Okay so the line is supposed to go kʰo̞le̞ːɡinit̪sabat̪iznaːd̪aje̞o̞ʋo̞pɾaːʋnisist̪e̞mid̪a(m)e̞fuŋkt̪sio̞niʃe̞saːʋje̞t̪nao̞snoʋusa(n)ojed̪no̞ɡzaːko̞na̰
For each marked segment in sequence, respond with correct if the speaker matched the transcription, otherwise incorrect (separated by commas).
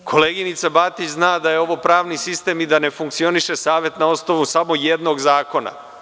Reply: incorrect, incorrect